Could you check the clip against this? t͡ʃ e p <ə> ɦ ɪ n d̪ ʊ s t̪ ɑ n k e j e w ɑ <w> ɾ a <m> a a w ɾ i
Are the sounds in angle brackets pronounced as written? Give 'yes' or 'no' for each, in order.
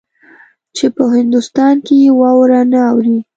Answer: yes, yes, no

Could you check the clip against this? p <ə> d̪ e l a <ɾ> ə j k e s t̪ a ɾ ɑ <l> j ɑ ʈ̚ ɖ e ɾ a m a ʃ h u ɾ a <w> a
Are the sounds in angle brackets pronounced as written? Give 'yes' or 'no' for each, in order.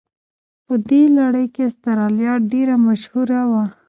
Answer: yes, no, yes, yes

